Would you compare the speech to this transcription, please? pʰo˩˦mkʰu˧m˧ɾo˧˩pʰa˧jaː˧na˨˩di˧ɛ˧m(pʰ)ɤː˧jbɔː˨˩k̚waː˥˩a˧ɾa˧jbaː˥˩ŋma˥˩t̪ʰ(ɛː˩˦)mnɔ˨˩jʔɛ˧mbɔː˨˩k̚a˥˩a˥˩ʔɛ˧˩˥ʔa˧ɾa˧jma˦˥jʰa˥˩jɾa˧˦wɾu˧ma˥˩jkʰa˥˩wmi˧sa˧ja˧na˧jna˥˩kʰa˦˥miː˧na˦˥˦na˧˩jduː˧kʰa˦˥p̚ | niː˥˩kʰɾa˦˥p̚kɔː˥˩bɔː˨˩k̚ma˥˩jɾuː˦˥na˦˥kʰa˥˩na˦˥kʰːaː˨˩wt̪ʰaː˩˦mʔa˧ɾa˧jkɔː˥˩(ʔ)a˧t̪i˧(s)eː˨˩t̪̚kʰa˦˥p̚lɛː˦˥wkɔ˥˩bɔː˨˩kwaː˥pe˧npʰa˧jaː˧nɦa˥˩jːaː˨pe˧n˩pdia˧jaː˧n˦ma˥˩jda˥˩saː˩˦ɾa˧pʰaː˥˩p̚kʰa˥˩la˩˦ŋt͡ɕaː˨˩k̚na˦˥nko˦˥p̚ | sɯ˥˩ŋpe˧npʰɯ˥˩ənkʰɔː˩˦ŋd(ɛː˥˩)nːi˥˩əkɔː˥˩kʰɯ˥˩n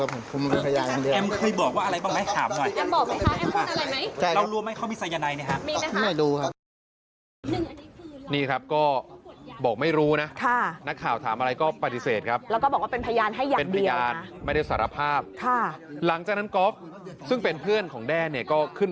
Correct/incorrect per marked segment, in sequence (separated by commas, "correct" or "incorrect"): incorrect, incorrect, incorrect, correct, correct